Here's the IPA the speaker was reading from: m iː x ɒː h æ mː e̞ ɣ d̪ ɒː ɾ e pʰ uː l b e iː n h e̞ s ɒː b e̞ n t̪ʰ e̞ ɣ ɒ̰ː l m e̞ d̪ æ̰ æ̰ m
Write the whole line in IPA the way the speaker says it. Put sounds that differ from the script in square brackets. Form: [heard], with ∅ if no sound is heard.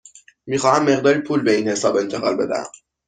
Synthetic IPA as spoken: m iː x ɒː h æ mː e̞ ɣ d̪ ɒː ɾ [i] pʰ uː l b e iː n h e̞ s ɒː b e̞ n t̪ʰ e̞ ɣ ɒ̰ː l [b] e̞ d̪ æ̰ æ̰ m